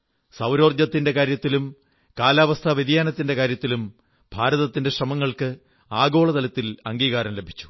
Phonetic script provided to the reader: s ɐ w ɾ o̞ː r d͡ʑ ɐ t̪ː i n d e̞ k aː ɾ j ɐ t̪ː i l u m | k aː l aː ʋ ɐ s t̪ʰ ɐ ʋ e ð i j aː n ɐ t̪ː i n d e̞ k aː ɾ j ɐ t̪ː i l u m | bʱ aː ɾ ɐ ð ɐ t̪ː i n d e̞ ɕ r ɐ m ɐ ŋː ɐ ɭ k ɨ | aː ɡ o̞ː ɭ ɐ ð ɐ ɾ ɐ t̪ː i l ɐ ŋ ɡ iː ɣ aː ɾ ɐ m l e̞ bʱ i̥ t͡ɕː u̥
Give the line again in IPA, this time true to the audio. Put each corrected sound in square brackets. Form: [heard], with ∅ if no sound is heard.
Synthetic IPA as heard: s ɐ w ɾ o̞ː r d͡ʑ ɐ t̪ː i n d e̞ k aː ɾ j ɐ t̪ː i l u m | k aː l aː ʋ ɐ s t̪ʰ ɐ ʋ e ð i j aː n ɐ t̪ː i n d e̞ k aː ɾ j ɐ t̪ː i l u m | bʱ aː ɾ ɐ ð ɐ t̪ː i n d e̞ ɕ r ɐ m ɐ ŋː ɐ ɭ k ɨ | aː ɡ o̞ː ɭ ɐ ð ɐ [l] ɐ t̪ː i l ɐ ŋ ɡ iː ɣ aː ɾ ɐ m l e̞ bʱ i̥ t͡ɕː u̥

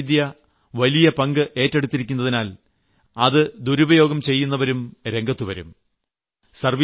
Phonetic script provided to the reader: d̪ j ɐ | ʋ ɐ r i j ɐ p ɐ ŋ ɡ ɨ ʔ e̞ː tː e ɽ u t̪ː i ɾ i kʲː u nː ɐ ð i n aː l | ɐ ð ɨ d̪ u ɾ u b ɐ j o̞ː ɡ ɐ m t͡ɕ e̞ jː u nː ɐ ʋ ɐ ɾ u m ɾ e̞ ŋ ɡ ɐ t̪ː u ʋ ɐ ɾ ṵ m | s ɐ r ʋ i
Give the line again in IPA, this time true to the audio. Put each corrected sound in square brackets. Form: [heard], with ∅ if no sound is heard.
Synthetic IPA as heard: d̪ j ɐ | ʋ ɐ [l] i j ɐ p ɐ ŋ ɡ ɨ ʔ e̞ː tː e ɽ u t̪ː i ɾ i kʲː u nː ɐ ð i n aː l | ɐ ð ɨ d̪ u ɾ u b ɐ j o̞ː ɡ ɐ m t͡ɕ e̞ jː u nː ɐ ʋ ɐ ɾ u m ɾ e̞ ŋ ɡ ɐ t̪ː u ʋ ɐ ɾ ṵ m | s ɐ r ʋ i

